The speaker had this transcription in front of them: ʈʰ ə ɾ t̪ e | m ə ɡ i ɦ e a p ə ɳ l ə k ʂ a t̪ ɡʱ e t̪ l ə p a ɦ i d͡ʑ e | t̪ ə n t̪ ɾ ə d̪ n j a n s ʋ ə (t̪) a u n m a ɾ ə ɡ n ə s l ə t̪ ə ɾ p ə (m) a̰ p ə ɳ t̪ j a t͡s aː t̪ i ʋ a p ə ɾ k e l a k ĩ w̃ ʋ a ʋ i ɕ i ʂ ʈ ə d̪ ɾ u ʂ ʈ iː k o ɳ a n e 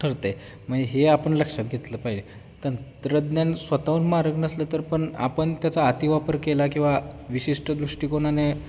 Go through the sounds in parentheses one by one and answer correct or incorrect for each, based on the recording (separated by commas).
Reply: correct, incorrect